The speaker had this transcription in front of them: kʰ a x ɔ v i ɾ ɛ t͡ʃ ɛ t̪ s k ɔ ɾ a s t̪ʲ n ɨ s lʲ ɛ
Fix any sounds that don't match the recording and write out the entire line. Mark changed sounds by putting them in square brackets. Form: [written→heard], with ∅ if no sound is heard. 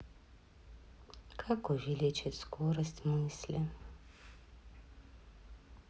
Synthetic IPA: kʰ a [x→k] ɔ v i [ɾ→l] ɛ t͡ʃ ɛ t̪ s k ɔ ɾ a s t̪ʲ [n→m] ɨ s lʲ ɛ